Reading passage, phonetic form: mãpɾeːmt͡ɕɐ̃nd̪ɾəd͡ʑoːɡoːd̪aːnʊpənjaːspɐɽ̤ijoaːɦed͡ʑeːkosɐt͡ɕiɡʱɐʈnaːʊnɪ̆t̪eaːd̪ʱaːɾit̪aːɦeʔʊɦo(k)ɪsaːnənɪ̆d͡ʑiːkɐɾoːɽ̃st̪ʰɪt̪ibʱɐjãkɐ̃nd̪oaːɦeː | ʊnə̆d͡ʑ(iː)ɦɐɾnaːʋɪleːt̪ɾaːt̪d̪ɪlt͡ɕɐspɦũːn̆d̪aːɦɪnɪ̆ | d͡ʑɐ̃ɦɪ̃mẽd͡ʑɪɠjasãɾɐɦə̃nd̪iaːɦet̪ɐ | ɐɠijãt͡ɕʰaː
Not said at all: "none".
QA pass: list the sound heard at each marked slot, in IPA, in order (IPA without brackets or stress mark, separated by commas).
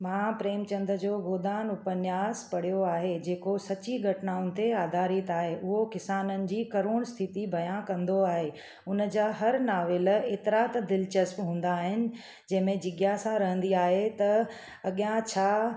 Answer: k, aː